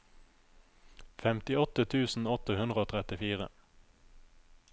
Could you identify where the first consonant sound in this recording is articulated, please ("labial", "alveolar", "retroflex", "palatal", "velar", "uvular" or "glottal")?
labial